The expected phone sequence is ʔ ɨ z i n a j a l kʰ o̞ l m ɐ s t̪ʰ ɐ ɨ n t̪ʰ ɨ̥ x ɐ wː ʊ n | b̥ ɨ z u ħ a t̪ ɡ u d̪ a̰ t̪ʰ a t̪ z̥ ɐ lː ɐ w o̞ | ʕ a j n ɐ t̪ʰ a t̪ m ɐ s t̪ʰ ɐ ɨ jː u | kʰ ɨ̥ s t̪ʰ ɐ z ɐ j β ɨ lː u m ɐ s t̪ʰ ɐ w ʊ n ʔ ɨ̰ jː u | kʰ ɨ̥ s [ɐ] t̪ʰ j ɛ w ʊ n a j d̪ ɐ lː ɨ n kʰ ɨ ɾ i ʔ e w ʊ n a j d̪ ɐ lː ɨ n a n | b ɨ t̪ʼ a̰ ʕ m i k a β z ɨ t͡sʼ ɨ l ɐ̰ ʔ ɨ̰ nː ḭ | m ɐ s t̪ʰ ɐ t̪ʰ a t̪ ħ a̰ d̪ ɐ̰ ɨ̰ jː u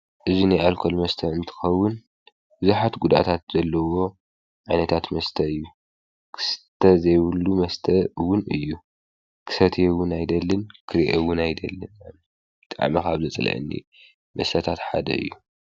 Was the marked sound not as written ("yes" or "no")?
no